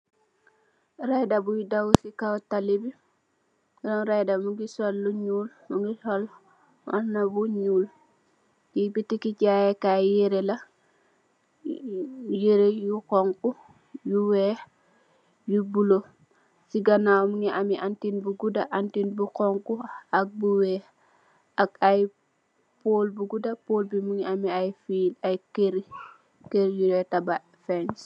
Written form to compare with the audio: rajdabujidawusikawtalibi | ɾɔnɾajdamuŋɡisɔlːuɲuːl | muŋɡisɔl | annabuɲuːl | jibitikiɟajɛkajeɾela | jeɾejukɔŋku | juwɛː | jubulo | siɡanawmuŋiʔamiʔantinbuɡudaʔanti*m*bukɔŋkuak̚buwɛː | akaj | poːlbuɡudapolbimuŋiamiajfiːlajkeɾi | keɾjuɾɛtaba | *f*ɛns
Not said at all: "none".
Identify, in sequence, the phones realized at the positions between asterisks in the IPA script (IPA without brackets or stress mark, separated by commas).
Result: n, f